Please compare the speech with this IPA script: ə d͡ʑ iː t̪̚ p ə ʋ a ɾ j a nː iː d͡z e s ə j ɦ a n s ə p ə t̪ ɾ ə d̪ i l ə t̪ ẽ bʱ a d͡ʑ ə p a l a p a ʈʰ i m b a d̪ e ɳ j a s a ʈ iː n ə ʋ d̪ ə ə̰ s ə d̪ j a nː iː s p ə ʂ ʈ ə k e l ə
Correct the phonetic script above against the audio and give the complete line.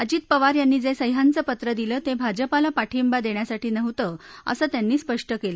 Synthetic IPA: ə d͡ʑ iː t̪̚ p ə ʋ a ɾ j a nː iː d͡z e s ə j ɦ a n t͡s ə p ə t̪ ɾ ə d̪ i l ə t̪ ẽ bʱ a d͡ʑ ə p a l a p a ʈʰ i m b a d̪ e ɳ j a s a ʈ iː n ə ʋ t̪ ə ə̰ s ə t̪ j a nː iː s p ə ʂ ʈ ə k e l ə

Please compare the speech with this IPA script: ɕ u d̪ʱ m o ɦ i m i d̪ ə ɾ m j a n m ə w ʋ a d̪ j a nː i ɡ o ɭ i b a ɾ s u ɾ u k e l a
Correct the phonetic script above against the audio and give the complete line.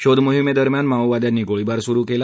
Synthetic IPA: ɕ o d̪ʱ m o ɦ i m e d̪ ə ɾ m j a n m a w ʋ a d̪ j a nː i ɡ o ɭ i b a ɾ s u ɾ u k e l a

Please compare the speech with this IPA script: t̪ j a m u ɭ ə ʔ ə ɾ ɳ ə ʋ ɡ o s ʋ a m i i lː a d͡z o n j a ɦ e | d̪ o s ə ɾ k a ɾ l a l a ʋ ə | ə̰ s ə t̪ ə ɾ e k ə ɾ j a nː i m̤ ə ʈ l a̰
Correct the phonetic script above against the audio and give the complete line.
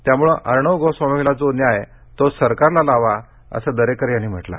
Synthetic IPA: t̪ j a m u ɭ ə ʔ ə ɾ ɳ ə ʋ ɡ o s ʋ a m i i l a d͡z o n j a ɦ e | t̪ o s ə ɾ k a ɾ l a l a ʋ a | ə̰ s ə d̪ ə ɾ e k ə ɾ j a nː i m̤ ə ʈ l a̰

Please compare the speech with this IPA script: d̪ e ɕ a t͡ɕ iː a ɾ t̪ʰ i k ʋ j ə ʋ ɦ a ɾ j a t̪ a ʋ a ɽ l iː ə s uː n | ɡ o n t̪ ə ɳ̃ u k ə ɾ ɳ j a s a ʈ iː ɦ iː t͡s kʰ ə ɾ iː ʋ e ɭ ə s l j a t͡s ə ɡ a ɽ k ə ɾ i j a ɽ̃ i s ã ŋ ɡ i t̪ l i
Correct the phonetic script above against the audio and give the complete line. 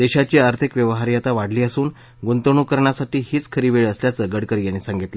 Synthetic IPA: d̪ e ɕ a t͡ɕ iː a ɾ t̪ʰ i k ʋ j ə ʋ ɦ a ɾ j a t̪ a ʋ a ɽ l iː ə s uː n | ɡ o n t̪ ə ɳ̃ u k ə ɾ ɳ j a s a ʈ iː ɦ iː t͡s kʰ ə ɾ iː ʋ e ɭ ə s l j a t͡s ə ɡ ə ɽ k ə ɾ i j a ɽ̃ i s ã ŋ ɡ i t̪ l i

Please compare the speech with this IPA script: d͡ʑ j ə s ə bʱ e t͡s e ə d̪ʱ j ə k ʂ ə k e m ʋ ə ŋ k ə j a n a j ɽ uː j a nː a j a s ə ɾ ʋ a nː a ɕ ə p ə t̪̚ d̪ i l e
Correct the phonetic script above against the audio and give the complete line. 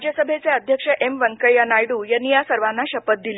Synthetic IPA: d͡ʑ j ə s ə bʱ e t͡s e ə d̪ʱ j ə k ʂ ə ʔ e m ʋ ə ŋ k ə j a n a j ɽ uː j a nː i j a s ə ɾ ʋ a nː a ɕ ə p ə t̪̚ d̪ i l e

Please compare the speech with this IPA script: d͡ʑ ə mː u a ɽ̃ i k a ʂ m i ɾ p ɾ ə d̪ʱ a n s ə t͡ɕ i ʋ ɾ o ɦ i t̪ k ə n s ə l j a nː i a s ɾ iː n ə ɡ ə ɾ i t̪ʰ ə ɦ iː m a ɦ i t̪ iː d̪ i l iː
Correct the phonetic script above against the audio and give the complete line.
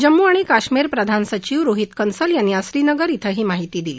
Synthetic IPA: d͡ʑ ə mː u a ɽ̃ i k a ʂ m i ɾ p ɾ ə d̪ʱ a n s ə t͡ɕ i ʋ ɾ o ɦ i t̪ k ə n s ə l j a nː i a s ɾ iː n ə ɡ ə ɾ i t̪ʰ ə ɦ iː m a ɦ i t̪ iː d̪ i l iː

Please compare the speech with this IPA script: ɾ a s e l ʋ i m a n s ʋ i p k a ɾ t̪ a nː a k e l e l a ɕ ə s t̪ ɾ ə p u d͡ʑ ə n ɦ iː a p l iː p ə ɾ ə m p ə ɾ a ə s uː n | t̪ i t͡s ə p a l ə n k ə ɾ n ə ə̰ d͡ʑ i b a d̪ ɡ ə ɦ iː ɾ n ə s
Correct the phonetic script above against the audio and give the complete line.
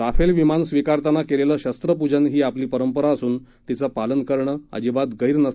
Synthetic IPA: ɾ a f e l ʋ i m a n s ʋ i k a ɾ t̪ a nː a k e l e l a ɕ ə s t̪ ɾ ə p u d͡ʑ ə n ɦ iː a p l iː p ə ɾ ə m p ə ɾ a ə s uː n | t̪ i t͡s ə p a l ə n k ə ɾ ɳ ə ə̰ d͡ʑ i b a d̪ ɡ ə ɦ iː ɾ n ə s

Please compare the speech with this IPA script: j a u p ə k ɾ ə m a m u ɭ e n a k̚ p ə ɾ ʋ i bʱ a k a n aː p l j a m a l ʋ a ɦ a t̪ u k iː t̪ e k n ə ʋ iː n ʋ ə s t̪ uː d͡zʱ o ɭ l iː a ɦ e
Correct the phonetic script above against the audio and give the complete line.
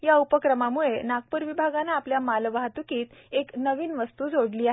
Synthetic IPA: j a u p ə k ɾ ə m a m u ɭ e n a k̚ p ə ɾ ʋ i bʱ a ɡ a n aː p l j a m a l ʋ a ɦ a t̪ u k iː t̪ e k n ə ʋ iː n ʋ ə s t̪ uː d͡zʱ o ɽ l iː a ɦ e

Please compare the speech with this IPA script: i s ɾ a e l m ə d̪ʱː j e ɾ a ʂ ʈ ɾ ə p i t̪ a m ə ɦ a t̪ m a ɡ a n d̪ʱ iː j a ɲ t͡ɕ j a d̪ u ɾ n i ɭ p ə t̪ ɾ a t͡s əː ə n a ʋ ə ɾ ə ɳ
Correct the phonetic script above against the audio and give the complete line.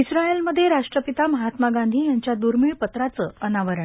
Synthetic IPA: i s ɾ a e l m ə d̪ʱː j e ɾ a ʂ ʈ ɾ ə p i t̪ a m ə ɦ a t̪ m a ɡ a n d̪ʱ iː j a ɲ t͡ɕ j a d̪ u ɾ m i ɭ p ə t̪ ɾ a t͡s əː ə n a ʋ ə ɾ ə ɳ

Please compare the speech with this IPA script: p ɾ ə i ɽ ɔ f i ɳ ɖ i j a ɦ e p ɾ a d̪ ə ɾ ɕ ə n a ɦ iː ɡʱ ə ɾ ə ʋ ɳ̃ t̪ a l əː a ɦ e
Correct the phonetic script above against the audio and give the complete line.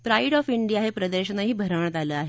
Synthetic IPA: p ɾ a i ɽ ɔ f i ɳ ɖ i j a ɦ e p ɾ ə d̪ ə ɾ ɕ ə n a ɦ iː bʱ ə ɾ ə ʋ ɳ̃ t̪ a l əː a ɦ e

